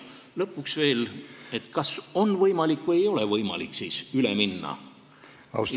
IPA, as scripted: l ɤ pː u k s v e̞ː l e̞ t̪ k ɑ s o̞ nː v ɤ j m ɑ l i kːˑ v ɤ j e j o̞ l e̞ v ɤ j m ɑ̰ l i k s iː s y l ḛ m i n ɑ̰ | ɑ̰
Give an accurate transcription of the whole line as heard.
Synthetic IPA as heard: l ɤ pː u k s v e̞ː l e̞ t̪ k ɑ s o̞ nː v ɤ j m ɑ l i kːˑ v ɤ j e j o̞ l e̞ v ɤ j m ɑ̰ l i k s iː s y l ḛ m i nː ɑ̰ | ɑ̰